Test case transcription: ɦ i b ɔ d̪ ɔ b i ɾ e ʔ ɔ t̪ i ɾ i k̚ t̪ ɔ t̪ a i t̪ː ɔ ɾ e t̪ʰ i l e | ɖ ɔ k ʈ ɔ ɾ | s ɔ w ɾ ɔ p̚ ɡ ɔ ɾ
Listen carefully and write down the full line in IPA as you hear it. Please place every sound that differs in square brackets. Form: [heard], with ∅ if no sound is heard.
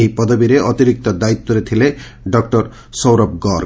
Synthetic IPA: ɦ i [p] ɔ d̪ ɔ b i ɾ e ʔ ɔ t̪ i ɾ i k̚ t̪ ɔ [d̪] a i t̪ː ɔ ɾ e t̪ʰ i l e | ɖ ɔ k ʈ ɔ ɾ | s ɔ w ɾ ɔ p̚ ɡ ɔ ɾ